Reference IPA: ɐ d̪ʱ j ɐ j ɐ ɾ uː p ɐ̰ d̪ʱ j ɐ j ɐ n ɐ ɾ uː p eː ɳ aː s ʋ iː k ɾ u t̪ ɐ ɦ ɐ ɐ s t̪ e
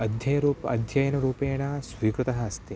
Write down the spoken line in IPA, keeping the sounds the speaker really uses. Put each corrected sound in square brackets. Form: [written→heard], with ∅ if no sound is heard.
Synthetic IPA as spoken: ɐ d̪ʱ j ɐ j ɐ ɾ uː p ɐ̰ d̪ʱ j ɐ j ɐ n ɐ ɾ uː p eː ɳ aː s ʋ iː k ɾ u t̪ ɐ ɦ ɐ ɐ s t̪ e

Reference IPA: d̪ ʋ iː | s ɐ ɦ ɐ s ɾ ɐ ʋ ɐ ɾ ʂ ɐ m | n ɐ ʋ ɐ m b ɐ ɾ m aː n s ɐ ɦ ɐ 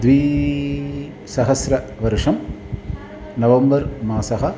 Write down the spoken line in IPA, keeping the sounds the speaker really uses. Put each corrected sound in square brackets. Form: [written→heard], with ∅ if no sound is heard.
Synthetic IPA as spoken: d̪ ʋ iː | s ɐ ɦ ɐ s ɾ ɐ ʋ ɐ ɾ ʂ ɐ m | n ɐ ʋ ɐ m b ɐ ɾ m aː [n→∅] s ɐ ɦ ɐ

